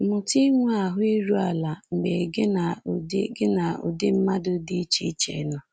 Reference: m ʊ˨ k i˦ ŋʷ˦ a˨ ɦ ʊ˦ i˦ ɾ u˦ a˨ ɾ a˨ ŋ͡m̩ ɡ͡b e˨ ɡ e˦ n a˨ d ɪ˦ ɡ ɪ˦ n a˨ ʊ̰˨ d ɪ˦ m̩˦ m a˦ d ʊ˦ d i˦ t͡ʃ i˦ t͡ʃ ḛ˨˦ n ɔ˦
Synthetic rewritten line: m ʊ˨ t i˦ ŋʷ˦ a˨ ɦ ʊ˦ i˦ ɾ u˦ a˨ l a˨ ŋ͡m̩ ɡ͡b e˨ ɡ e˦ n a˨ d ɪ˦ ɡ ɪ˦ n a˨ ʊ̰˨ d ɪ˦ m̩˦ m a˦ d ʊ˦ d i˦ t͡ʃ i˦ t͡ʃ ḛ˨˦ n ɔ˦

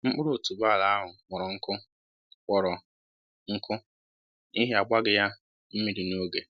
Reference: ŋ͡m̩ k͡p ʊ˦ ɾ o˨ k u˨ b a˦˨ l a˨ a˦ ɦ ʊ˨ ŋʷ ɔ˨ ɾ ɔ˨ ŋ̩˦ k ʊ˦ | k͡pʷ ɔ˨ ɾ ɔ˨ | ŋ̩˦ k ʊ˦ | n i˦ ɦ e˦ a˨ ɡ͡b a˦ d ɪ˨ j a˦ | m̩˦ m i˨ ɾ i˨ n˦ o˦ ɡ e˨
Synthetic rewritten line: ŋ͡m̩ k͡p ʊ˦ ɾ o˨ t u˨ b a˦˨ l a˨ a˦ ɦ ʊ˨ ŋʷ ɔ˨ ɾ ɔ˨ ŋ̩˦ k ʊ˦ | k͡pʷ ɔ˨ ɾ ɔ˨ | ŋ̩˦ k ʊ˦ | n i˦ ɦ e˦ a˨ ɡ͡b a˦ ɡ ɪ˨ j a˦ | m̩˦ m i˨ ɾ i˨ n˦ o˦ ɡ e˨

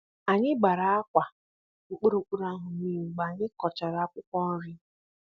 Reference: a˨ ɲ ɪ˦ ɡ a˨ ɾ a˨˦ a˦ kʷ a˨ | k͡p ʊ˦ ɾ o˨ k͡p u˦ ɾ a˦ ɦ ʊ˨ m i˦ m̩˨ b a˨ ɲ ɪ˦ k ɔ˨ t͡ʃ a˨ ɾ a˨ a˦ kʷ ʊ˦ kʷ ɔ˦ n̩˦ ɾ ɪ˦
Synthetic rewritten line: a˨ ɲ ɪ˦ ɡ͡b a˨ ɾ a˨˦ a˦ kʷ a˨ | k͡p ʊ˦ ɾ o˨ k͡p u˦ ɾ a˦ ɦ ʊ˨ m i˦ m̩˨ ɡ͡b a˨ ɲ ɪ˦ k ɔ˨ t͡ʃ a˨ ɾ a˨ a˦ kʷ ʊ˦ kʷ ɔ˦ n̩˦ ɾ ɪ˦

